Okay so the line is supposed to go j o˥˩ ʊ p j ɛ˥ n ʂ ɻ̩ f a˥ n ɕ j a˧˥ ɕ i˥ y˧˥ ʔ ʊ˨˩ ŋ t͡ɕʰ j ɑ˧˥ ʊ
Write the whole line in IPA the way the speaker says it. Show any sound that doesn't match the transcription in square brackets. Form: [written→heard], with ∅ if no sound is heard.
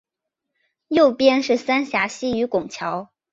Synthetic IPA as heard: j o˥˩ ʊ p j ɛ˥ n ʂ ɻ̩ [f→s] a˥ n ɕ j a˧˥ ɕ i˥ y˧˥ [ʔ→k] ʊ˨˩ ŋ t͡ɕʰ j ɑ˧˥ ʊ